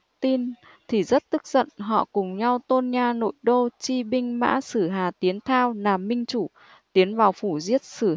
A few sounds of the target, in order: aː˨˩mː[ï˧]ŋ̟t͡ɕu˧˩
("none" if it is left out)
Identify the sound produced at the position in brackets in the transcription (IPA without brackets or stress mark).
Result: ï˧